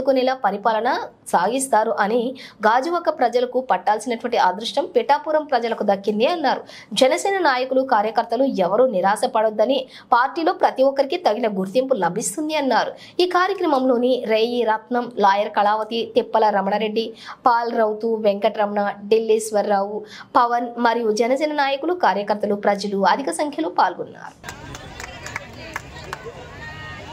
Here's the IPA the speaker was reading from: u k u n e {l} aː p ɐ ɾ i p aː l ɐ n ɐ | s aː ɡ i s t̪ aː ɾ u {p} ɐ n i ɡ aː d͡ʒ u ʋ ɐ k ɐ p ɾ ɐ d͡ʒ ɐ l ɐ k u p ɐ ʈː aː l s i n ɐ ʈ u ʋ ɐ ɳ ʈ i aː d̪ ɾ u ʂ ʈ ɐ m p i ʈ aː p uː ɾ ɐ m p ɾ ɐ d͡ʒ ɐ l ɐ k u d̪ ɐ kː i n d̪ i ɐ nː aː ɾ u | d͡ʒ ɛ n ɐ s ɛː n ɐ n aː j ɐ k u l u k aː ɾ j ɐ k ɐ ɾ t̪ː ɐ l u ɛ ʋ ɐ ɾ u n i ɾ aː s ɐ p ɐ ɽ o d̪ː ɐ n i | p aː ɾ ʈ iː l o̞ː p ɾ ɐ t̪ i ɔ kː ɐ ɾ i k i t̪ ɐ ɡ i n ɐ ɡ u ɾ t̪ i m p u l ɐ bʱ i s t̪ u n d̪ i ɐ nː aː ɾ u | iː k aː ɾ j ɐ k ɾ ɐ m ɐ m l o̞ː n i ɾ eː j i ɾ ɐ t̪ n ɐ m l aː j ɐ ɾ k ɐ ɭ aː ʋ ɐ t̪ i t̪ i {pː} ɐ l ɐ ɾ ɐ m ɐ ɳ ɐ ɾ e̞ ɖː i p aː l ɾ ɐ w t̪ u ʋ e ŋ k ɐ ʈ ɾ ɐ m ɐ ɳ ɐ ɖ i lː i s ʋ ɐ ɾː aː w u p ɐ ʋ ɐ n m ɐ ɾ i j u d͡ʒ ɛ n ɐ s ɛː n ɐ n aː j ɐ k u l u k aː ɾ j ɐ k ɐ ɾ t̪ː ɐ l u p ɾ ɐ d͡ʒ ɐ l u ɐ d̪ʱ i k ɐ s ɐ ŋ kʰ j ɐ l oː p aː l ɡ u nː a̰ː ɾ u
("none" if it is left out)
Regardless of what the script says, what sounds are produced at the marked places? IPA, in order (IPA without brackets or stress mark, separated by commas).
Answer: l, ʔ, pː